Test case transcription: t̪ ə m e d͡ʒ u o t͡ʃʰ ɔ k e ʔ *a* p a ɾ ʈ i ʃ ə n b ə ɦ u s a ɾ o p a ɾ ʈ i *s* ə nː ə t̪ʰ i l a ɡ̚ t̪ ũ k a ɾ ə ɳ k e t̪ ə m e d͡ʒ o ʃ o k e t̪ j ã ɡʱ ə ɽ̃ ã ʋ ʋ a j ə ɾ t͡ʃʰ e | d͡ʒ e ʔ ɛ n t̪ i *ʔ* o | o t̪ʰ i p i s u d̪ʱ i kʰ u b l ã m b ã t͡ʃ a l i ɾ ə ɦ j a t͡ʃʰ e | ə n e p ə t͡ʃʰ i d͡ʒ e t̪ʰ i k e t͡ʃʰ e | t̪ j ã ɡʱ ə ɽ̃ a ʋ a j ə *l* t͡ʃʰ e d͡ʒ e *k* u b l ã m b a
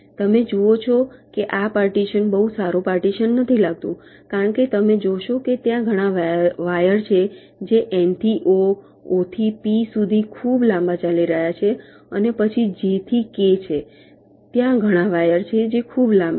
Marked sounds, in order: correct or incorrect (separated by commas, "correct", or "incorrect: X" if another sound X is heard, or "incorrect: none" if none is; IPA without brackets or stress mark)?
correct, incorrect: ʃ, correct, incorrect: ɾ, incorrect: kʰ